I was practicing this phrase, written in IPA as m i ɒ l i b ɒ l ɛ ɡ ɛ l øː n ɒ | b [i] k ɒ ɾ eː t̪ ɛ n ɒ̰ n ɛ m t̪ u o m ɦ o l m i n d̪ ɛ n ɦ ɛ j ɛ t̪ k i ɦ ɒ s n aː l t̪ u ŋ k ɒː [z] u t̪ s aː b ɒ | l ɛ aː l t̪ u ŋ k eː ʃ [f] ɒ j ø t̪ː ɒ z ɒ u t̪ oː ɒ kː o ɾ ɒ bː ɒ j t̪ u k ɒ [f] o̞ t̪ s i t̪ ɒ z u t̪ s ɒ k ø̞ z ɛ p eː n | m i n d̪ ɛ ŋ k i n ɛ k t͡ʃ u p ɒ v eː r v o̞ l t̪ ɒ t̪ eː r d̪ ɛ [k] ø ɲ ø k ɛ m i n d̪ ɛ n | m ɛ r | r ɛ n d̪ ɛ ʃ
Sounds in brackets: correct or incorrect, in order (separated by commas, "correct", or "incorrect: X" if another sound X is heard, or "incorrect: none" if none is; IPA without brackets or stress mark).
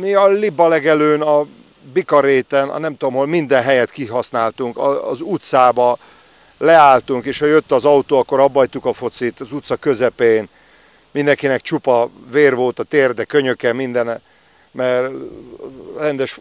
correct, correct, incorrect: h, correct, correct